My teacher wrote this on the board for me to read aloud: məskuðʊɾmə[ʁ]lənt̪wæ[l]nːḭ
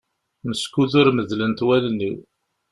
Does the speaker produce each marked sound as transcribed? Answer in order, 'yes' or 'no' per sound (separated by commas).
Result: no, yes